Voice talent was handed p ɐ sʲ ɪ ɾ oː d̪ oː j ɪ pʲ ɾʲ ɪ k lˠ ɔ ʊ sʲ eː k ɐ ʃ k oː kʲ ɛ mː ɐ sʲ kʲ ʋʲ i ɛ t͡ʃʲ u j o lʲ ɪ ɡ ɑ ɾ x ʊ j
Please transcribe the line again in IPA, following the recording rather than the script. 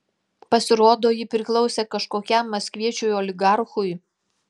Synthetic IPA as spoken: p ɐ sʲ ɪ ɾ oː d̪ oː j ɪ pʲ ɾʲ ɪ k lˠ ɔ ʊ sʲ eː k ɐ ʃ k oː kʲ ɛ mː ɐ sʲ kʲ ʋʲ i ɛ t͡ʃʲ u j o lʲ ɪ ɡ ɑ ɾ x ʊ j